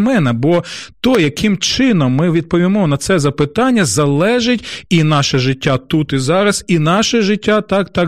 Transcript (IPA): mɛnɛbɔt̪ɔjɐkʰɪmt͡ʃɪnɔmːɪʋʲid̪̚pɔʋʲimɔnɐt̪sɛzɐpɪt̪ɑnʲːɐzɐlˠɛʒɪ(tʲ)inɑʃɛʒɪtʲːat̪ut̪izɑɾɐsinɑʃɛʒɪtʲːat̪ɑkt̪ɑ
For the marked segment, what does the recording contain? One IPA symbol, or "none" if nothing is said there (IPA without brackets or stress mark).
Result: tʲ